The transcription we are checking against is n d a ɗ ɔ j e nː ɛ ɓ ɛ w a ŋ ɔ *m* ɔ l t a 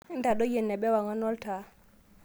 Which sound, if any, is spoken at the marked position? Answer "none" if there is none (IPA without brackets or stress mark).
n